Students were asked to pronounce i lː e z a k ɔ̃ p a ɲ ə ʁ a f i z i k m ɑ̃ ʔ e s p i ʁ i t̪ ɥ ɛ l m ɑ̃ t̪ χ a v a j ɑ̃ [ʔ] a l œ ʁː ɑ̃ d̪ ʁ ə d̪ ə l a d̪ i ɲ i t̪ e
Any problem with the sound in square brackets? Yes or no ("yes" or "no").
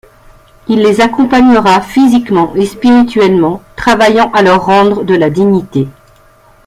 no